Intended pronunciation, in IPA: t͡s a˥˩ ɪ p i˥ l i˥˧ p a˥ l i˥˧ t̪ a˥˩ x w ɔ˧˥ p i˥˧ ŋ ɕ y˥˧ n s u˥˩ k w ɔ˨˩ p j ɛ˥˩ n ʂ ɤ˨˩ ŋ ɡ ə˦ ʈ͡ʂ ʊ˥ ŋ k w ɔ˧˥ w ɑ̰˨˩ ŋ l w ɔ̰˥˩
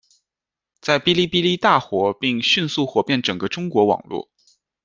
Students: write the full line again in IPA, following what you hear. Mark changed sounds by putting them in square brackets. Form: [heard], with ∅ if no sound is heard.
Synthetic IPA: t͡s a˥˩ ɪ p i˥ l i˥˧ p [i˥] l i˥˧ t̪ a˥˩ x w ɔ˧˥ p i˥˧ ŋ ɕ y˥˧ n s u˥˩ [x] w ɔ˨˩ p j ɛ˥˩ n [ʈ͡ʂ] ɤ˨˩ ŋ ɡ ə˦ ʈ͡ʂ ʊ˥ ŋ k w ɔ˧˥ w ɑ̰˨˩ ŋ l w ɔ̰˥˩